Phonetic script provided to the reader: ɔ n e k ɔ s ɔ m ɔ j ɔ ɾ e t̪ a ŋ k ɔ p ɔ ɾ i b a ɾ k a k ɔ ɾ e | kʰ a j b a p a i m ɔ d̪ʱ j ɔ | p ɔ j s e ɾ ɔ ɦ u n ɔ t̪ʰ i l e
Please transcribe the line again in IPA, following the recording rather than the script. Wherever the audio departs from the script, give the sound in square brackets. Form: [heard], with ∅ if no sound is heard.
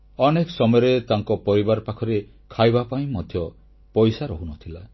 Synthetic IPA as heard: ɔ n e k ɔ s ɔ m ɔ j ɔ ɾ e t̪ a ŋ k ɔ p ɔ ɾ i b a ɾ [p] a [kʰ] ɔ ɾ e | kʰ a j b a p a [ĩ] m ɔ d̪ʱ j ɔ | p ɔ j s [a] ɾ ɔ ɦ u n ɔ t̪ʰ i l [a]